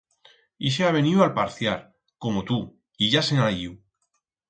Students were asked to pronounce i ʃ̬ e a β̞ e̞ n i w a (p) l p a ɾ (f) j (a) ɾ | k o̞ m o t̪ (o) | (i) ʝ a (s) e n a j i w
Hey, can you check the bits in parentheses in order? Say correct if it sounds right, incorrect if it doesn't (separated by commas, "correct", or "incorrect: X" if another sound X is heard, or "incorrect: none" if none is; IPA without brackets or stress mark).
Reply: incorrect: none, incorrect: θ, correct, incorrect: u, correct, correct